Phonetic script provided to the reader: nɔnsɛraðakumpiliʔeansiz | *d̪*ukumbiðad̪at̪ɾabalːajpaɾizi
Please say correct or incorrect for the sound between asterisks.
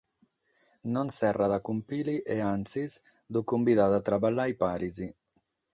correct